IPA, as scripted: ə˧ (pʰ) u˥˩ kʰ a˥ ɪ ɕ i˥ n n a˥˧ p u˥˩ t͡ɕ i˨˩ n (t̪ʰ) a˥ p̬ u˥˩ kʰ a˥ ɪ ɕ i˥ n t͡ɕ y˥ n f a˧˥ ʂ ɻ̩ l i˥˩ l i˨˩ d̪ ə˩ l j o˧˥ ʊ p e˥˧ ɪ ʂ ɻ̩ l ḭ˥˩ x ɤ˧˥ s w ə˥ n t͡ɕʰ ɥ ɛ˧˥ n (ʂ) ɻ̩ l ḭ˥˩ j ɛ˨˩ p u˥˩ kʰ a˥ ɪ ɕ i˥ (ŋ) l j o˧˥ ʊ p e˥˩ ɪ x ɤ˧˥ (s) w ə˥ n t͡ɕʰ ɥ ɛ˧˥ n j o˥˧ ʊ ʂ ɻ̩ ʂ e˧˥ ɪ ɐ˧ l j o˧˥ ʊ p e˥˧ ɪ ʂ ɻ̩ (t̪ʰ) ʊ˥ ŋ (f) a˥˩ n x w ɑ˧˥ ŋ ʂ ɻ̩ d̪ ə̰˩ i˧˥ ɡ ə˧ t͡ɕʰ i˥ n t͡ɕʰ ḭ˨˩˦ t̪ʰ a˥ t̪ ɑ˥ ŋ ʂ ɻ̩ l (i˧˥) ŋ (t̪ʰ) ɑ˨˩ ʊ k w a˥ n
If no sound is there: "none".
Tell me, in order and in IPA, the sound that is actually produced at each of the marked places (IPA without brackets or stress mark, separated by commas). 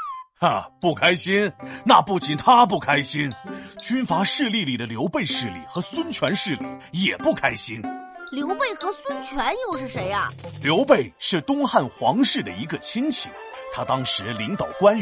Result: p, t̪ʰ, ʂ, n, s, t̪, x, i˧˥, t̪